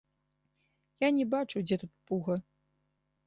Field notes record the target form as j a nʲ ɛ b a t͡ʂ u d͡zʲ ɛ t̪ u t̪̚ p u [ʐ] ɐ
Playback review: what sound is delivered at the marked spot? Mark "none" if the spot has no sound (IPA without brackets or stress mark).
ɣ